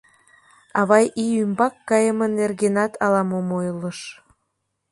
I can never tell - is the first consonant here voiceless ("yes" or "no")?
no